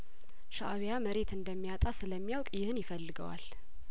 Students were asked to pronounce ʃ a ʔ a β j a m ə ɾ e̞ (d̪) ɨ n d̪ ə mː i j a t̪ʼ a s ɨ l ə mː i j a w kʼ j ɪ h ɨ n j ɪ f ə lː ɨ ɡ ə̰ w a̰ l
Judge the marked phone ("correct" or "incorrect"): incorrect